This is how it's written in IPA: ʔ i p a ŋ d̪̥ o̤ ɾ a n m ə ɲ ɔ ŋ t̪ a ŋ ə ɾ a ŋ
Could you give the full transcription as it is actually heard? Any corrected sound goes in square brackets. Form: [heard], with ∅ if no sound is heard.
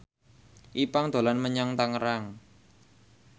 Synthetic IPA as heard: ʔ i p a ŋ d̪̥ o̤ [l] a n m ə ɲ ɔ ŋ t̪ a ŋ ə ɾ a ŋ

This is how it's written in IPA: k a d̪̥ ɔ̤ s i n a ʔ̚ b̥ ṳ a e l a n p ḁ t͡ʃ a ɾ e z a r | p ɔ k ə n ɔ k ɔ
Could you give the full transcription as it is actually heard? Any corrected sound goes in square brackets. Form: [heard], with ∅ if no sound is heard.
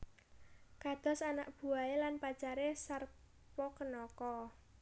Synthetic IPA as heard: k a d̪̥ ɔ̤ s [a] n a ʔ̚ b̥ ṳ a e l a n p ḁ t͡ʃ a ɾ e [s] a r | p ɔ k ə n ɔ k ɔ

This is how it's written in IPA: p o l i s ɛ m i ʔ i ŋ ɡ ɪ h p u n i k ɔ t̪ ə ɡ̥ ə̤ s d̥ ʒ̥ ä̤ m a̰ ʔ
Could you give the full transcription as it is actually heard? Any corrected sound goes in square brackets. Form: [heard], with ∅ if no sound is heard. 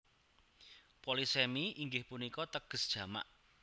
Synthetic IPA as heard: p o l i s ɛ m i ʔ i ŋ ɡ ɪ h p u n i k ɔ t̪ ə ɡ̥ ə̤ s d̥ ʒ̥ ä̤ m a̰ ʔ

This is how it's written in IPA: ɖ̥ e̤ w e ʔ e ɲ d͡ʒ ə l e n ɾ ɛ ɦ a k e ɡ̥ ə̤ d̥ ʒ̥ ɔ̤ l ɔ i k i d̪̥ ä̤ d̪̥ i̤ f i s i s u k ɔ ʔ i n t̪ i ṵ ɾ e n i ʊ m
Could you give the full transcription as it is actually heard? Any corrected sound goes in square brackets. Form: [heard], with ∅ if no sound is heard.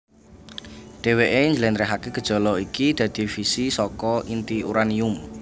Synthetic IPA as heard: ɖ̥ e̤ w e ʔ e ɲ d͡ʒ ə l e n ɾ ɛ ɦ a k e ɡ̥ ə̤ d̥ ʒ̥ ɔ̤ l ɔ i k i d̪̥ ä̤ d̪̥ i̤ f i s i s [ɔ] k ɔ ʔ i n t̪ i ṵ ɾ [a] n i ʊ m

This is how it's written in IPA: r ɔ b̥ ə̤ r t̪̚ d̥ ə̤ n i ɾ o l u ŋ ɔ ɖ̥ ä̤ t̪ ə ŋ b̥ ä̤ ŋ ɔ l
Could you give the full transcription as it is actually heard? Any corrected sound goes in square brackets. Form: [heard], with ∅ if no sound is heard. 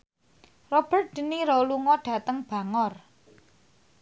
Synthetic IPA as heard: r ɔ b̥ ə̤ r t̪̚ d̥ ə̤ n i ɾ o l u ŋ ɔ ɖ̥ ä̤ t̪ ə ŋ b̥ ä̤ ŋ ɔ [r]

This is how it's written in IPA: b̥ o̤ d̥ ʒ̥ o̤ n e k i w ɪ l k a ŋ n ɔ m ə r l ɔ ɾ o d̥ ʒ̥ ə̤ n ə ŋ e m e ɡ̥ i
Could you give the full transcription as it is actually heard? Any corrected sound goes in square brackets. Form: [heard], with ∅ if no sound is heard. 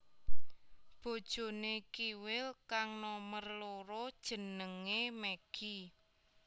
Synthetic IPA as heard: b̥ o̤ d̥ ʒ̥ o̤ n e k i w ɪ l k a ŋ n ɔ m ə r l [o] ɾ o d̥ ʒ̥ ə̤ n ə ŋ e m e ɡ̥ i

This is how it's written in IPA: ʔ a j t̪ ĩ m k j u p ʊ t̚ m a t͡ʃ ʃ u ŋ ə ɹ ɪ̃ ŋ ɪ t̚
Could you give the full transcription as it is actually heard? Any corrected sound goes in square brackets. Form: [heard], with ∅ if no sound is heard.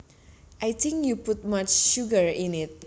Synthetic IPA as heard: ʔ a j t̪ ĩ [ŋ] k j u p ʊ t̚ m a t͡ʃ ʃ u [ɡ] ə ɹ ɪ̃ [n] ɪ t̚

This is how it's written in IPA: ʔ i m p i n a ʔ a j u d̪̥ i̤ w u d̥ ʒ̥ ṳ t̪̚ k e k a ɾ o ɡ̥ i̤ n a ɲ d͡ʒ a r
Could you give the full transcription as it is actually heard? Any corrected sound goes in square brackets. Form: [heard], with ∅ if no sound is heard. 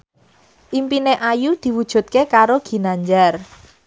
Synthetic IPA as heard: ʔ i m p i n [e] ʔ a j u d̪̥ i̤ w u d̥ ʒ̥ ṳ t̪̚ k e k a ɾ o ɡ̥ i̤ n a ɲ d͡ʒ a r

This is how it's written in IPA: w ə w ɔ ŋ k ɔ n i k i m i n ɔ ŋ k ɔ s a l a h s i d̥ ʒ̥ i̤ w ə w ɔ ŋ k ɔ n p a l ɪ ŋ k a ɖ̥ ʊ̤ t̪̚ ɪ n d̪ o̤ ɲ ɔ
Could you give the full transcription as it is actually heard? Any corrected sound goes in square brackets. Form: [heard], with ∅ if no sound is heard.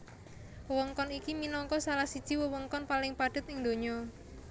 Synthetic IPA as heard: w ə w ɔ ŋ k ɔ n i k i m i n ɔ ŋ k ɔ s a l a h s i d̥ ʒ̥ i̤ w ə w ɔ ŋ k ɔ n p a l ɪ ŋ [p] a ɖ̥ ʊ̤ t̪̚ ɪ [ŋ] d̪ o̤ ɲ ɔ

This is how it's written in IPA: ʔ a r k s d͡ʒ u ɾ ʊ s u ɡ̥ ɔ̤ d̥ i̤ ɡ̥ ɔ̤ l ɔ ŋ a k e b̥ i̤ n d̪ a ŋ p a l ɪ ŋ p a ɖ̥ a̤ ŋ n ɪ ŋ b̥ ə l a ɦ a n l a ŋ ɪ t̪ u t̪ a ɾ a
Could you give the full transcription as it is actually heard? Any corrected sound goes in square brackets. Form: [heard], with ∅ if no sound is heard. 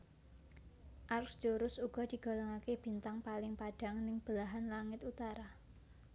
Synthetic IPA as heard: ʔ a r k s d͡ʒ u ɾ ʊ s u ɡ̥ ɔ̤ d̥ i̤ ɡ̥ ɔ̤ l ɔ ŋ a k e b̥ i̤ n [t̪] a ŋ p a l ɪ ŋ p a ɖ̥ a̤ ŋ n ɪ ŋ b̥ ə l a ɦ a n l a ŋ ɪ t̪ u t̪ a ɾ a

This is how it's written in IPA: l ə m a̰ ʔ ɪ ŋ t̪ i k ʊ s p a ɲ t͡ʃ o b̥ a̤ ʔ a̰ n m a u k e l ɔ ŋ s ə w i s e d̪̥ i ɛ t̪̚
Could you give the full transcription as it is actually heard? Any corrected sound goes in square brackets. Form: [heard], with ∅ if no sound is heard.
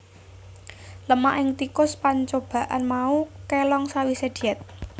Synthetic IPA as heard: l ə m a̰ ʔ ɪ ŋ t̪ i k ʊ s p a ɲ t͡ʃ o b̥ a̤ ʔ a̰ n m a u k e l ɔ ŋ s [a] w i s e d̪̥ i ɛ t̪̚

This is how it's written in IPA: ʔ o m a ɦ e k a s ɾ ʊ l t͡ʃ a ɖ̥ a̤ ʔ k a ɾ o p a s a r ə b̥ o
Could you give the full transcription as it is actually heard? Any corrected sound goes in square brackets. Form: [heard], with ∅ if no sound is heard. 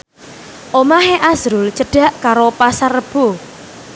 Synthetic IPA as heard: ʔ o m a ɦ e [ʔ] a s ɾ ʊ l t͡ʃ [ə] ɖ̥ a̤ ʔ k a ɾ o p a s a r ə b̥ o

